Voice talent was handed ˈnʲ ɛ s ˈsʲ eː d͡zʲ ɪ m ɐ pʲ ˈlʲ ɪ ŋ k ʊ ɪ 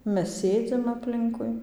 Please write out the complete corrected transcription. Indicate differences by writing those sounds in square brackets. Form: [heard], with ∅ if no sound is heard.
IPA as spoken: [ˈmʲ] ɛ s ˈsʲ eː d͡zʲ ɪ m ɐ pʲ ˈlʲ ɪ ŋ k ʊ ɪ